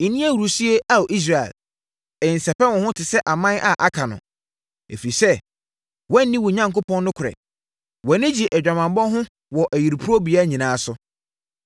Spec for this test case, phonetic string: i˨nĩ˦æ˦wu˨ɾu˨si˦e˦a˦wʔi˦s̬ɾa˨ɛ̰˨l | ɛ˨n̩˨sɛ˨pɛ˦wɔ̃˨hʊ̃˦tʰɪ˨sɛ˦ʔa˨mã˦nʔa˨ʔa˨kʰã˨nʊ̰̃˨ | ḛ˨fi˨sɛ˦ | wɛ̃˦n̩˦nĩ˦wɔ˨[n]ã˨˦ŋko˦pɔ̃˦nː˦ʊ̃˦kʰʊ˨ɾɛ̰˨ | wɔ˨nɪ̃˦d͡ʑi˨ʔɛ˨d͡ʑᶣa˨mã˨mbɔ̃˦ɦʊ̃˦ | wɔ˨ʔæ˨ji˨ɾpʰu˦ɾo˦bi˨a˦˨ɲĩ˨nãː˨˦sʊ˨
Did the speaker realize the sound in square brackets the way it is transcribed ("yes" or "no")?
no